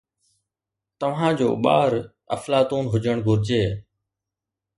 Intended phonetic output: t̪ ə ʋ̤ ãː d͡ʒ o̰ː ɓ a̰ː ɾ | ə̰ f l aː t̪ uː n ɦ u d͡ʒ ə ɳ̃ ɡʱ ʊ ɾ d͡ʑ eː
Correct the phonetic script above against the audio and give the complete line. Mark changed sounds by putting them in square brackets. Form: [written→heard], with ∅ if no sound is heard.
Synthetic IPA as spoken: t̪ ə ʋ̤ ãː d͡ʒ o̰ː ɓ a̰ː ɾ | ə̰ f l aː t̪ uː n ɦ [u→ʊ] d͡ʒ ə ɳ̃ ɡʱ ʊ ɾ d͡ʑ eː